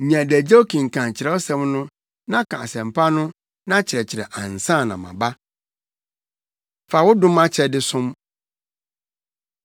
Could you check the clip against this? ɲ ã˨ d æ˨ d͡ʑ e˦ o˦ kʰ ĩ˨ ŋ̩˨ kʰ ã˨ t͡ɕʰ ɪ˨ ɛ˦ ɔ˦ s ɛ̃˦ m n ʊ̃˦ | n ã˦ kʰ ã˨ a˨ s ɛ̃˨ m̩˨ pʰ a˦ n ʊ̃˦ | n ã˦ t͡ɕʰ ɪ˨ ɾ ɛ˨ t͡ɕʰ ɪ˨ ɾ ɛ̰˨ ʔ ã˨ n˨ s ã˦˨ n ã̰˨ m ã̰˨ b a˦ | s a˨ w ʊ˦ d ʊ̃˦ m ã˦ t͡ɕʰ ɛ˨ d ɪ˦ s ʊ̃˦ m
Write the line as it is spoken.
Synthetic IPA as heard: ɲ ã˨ d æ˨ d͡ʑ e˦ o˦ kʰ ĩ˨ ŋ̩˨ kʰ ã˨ t͡ɕʰ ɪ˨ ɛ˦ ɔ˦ s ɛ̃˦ m n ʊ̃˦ | n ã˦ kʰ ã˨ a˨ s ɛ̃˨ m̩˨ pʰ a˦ n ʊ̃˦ | n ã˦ t͡ɕʰ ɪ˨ ɾ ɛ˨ t͡ɕʰ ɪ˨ ɾ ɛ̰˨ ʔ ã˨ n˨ s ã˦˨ n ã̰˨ m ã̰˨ b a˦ | f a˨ w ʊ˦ d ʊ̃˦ m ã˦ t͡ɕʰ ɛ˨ d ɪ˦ s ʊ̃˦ m